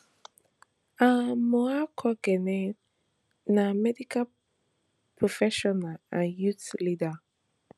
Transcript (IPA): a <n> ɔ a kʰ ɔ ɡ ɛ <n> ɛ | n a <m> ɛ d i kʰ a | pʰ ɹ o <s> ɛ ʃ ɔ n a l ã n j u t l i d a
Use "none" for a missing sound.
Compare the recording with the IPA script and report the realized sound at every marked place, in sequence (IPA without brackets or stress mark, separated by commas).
m, n, m, f